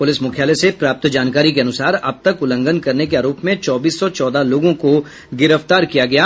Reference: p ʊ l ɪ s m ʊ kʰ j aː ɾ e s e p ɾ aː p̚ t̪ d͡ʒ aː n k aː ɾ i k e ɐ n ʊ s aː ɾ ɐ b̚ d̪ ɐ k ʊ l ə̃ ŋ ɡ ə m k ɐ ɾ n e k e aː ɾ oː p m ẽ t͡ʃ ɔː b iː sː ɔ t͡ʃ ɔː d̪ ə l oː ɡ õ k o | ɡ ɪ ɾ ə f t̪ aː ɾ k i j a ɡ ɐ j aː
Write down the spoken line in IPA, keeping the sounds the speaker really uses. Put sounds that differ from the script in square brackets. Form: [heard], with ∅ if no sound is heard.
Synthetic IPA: p ʊ l ɪ s m ʊ kʰ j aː [l] e s e p ɾ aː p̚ t̪ d͡ʒ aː n k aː ɾ i k e ɐ n ʊ s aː ɾ ɐ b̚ [t̪] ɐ k ʊ l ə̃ ŋ ɡ ə [n] k ɐ ɾ n e k e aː ɾ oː p m ẽ t͡ʃ ɔː b iː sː ɔ t͡ʃ ɔː d̪ [a] l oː ɡ õ k o | ɡ ɪ ɾ ə f t̪ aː ɾ k i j a ɡ ɐ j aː

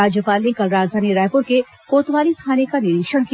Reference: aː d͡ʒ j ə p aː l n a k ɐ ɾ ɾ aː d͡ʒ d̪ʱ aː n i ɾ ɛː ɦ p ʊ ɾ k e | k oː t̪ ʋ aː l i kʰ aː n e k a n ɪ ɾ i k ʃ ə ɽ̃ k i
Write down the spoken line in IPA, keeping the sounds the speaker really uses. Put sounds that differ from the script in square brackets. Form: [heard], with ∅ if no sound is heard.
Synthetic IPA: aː d͡ʒ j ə p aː l n [e] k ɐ [l] ɾ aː d͡ʒ d̪ʱ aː n i ɾ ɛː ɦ p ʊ ɾ k e | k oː t̪ ʋ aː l i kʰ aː n e k a n ɪ ɾ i k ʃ ə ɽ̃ k i

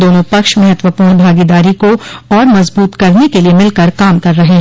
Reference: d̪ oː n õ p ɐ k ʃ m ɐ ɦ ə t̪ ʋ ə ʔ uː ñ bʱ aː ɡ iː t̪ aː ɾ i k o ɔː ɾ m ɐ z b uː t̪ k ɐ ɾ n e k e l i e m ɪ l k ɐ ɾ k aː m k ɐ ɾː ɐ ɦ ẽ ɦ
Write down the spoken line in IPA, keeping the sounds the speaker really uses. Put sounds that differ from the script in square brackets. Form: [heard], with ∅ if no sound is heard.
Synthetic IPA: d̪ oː n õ p ɐ k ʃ m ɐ ɦ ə t̪ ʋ ə [p] uː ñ bʱ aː ɡ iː [d̪] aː ɾ i k o ɔː ɾ m ɐ z b uː t̪ k ɐ ɾ n e k e l i e m ɪ l k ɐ ɾ k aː m k ɐ ɾː ɐ ɦ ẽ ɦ

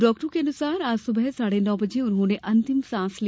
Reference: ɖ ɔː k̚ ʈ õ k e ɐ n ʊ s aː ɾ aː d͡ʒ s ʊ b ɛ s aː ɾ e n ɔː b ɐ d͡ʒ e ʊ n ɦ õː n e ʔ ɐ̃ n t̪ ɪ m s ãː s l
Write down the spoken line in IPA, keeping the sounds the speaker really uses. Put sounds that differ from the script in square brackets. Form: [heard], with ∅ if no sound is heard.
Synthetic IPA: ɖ ɔː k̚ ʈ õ k e ɐ n ʊ s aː ɾ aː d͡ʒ s ʊ b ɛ s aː [ɽ] e n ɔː b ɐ d͡ʒ e ʊ n ɦ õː n e ʔ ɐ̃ n t̪ ɪ m s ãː s l

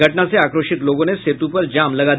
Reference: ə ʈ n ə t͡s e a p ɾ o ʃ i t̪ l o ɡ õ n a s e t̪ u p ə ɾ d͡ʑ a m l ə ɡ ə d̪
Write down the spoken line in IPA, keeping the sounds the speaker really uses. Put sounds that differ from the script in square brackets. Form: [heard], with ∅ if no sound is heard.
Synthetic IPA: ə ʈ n [a] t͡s e a [k] ɾ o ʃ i t̪ l o ɡ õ n [e] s e t̪ u p ə ɾ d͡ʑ a m l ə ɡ [a] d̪

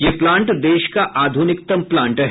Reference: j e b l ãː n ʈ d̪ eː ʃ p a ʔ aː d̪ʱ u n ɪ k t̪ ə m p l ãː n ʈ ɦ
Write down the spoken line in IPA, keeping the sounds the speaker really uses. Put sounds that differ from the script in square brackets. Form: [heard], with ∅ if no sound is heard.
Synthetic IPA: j e [p] l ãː [ɳ] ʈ d̪ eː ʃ [k] a ʔ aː d̪ʱ u n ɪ k t̪ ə m p l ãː [ɳ] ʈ ɦ

